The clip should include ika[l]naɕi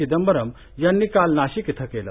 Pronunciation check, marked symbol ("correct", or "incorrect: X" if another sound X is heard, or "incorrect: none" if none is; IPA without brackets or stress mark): correct